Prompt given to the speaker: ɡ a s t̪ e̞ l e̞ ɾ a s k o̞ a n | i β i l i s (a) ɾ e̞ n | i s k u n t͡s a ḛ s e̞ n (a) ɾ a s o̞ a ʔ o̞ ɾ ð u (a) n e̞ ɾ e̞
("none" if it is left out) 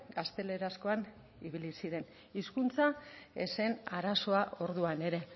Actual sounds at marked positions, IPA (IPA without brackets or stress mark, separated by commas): i, a, a